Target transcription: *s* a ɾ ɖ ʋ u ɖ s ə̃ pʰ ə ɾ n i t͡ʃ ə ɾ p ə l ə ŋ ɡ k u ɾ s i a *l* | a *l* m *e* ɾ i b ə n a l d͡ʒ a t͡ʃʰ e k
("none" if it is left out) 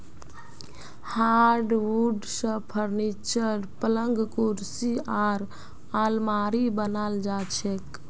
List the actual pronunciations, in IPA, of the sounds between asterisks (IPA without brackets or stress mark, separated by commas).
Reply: h, ɾ, l, a